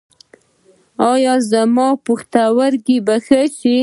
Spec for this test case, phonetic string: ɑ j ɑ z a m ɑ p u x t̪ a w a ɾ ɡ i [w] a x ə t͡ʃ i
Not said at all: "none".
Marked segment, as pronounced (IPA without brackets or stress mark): b